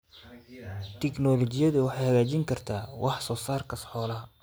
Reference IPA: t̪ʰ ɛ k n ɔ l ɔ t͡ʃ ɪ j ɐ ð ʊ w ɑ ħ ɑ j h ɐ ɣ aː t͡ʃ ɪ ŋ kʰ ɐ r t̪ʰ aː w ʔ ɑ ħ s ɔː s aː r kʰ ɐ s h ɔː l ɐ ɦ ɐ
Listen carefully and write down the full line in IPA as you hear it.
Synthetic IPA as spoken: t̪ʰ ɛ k n ɔ l ɔ t͡ʃ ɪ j ɐ ð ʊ w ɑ ħ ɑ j h ɐ ɣ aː t͡ʃ ɪ ŋ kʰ ɐ r t̪ʰ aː w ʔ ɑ ħ s ɔː s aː r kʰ ɐ s ħ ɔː l ɐ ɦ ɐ